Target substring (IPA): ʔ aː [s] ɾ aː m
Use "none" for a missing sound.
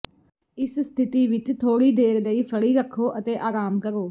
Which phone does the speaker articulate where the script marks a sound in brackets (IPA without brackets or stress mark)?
none